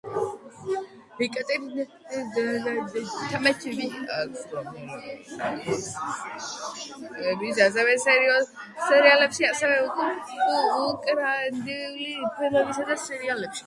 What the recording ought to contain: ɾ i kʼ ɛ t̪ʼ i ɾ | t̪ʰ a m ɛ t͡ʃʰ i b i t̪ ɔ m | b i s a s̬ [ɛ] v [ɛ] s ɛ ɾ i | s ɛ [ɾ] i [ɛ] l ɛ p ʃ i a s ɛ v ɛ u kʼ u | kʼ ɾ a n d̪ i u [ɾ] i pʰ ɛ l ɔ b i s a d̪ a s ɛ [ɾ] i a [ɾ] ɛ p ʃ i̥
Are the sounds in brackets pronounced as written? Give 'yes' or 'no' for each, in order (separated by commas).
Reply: yes, yes, yes, no, no, yes, no